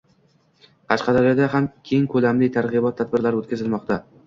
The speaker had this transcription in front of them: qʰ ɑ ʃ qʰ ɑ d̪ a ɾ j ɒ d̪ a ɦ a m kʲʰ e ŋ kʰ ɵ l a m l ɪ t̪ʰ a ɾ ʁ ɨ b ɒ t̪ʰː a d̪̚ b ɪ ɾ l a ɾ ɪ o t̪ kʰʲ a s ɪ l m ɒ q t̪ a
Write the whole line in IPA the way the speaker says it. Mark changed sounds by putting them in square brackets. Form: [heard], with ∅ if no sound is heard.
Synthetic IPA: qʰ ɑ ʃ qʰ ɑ d̪ a ɾ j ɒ d̪ a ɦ a m kʲʰ e ŋ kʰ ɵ l a m l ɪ t̪ʰ a ɾ ʁ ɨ b ɒ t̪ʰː a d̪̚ b ɪ ɾ l a ɾ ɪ o t̪ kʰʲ a [z] ɪ l m ɒ q t̪ a